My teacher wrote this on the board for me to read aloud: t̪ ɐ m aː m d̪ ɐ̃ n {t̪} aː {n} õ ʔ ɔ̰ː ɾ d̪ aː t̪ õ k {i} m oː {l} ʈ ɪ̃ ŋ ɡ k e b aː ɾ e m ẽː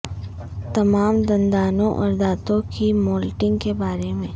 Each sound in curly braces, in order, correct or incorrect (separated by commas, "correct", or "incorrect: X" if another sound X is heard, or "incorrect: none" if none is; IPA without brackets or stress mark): incorrect: d̪, correct, correct, correct